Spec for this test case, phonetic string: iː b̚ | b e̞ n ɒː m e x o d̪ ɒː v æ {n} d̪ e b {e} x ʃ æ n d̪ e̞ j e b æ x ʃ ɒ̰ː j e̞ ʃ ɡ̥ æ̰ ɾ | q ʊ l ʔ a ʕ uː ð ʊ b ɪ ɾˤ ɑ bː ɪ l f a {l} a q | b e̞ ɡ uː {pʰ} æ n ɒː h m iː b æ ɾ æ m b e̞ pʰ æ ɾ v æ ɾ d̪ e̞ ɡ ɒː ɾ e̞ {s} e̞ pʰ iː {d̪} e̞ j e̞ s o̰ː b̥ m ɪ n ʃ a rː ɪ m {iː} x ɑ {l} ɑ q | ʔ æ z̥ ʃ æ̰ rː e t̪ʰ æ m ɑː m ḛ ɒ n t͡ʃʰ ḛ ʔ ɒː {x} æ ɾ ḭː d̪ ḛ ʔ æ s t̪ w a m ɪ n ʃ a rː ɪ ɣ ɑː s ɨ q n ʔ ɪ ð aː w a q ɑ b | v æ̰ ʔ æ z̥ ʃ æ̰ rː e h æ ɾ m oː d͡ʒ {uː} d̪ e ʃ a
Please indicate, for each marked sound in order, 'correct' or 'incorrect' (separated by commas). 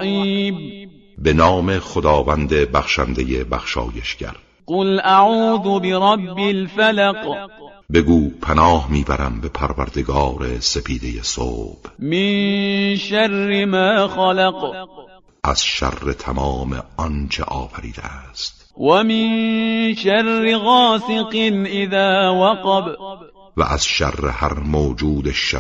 correct, incorrect, correct, correct, correct, correct, incorrect, correct, incorrect, correct